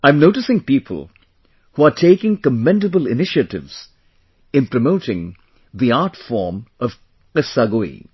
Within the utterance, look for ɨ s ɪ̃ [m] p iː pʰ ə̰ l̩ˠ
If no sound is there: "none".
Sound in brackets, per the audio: ŋ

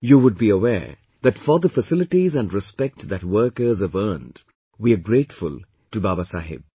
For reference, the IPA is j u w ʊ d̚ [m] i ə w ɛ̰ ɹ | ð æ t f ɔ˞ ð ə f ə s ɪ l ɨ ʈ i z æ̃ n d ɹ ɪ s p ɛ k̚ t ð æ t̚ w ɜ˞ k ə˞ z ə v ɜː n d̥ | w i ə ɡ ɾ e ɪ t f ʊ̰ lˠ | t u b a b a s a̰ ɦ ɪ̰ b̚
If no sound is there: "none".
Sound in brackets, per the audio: b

